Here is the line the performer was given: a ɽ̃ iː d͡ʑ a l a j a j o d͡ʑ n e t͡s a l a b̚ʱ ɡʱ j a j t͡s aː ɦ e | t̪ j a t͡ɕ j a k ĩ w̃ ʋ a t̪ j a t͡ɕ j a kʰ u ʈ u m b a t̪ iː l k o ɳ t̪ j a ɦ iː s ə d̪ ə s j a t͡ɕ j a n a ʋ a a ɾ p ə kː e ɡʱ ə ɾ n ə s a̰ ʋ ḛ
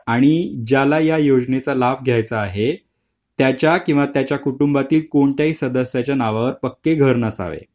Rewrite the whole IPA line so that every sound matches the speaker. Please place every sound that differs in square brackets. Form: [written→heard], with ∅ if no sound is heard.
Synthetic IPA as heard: a ɽ̃ [iː→i] d͡ʑ a l a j a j o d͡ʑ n e t͡s a l a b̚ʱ ɡʱ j a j t͡s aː ɦ e | t̪ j a t͡ɕ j a k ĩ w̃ ʋ a t̪ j a t͡ɕ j a [kʰ→k] u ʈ u m b a t̪ iː l k o ɳ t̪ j a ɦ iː s ə d̪ ə s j a t͡ɕ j a n a ʋ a [a→ə] ɾ p ə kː e ɡʱ ə ɾ n ə s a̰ ʋ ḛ